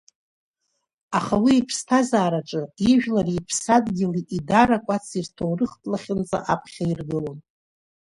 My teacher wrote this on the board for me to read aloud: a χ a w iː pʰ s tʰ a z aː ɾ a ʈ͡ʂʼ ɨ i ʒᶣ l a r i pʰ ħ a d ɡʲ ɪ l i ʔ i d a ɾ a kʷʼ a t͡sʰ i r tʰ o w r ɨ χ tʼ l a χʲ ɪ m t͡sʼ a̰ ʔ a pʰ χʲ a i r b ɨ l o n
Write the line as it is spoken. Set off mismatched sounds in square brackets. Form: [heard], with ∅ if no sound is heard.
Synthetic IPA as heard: a χ a w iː pʰ s tʰ a z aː ɾ a ʈ͡ʂʼ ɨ i ʒᶣ l a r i pʰ [s] a d ɡʲ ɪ l i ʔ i d a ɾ a kʷʼ a t͡sʰ i r tʰ o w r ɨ χ tʼ l a χʲ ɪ [n] t͡sʼ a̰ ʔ a pʰ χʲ a i r [ɡ] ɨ l o n